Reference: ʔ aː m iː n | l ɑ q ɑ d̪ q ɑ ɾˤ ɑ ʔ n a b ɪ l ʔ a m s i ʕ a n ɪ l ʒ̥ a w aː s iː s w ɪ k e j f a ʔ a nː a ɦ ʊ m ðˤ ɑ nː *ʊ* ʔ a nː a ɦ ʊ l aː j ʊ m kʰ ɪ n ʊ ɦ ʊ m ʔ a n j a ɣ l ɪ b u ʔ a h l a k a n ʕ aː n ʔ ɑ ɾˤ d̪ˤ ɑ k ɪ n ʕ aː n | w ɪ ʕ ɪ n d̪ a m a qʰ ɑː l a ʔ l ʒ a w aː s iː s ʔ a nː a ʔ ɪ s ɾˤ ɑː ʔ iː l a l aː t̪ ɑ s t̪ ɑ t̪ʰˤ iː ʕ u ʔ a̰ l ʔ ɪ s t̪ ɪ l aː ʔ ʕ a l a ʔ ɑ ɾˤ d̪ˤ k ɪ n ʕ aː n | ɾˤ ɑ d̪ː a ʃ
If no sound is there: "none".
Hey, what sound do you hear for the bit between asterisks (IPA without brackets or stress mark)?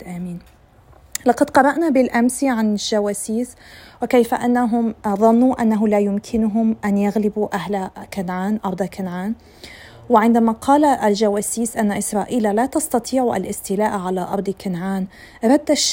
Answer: u